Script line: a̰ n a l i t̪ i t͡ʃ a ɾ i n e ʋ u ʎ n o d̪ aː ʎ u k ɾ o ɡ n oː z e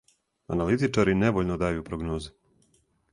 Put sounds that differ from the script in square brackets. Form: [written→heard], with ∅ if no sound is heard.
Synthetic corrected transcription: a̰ n a l i t̪ i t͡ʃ a ɾ i n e ʋ [u→o] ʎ n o d̪ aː [ʎ→j] u [k→p] ɾ o ɡ n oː z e